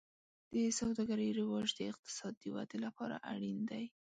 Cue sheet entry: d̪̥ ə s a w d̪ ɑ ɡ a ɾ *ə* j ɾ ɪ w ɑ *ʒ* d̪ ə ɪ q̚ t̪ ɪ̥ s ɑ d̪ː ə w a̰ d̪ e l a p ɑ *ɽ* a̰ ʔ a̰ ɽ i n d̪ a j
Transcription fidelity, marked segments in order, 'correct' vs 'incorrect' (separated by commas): correct, correct, incorrect